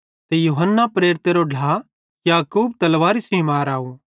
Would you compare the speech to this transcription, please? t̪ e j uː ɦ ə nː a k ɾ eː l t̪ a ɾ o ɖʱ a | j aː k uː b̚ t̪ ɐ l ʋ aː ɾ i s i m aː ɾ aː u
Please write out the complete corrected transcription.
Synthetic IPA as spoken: t̪ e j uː ɦ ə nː a p ɾ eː ɾ t̪ e ɾ o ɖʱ a | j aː k uː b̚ t̪ ɐ l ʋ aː ɾ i s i m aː ɾ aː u